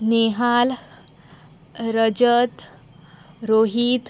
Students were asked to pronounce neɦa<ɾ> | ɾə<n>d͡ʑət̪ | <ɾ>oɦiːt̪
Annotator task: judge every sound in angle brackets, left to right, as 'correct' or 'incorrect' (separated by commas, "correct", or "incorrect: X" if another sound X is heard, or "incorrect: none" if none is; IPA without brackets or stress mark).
incorrect: l, incorrect: none, correct